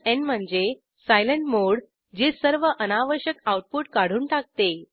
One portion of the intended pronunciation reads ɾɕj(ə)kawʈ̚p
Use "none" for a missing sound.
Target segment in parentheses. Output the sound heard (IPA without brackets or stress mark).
ə